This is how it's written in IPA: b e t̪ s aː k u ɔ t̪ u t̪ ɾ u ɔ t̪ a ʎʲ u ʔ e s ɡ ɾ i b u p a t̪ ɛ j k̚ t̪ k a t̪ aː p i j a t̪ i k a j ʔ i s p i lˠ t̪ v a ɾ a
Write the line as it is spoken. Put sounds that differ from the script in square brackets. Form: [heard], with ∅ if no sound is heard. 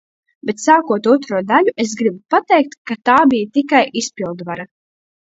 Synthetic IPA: b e t̪ s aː k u ɔ t̪ u t̪ ɾ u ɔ [d̪] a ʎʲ u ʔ e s ɡ ɾ i b u p a t̪ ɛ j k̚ t̪ k a t̪ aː [b] i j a t̪ i k a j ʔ i s p i lˠ [d̪] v a ɾ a